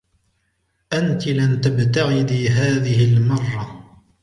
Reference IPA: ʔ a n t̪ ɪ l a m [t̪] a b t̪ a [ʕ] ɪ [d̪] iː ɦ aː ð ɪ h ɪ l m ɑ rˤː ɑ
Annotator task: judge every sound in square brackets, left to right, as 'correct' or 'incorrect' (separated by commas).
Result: correct, incorrect, correct